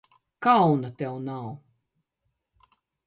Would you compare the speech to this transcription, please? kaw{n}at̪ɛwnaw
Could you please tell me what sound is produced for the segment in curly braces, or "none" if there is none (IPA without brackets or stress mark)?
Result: n